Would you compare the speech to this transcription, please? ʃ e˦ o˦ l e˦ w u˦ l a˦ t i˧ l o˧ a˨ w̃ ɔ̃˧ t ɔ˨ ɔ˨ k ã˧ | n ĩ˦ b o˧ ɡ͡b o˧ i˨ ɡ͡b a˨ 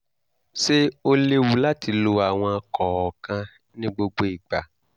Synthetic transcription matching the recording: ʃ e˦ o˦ l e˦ w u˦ l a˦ t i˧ l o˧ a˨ w̃ ɔ̃˧ k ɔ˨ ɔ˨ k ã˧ | n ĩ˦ ɡ͡b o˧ ɡ͡b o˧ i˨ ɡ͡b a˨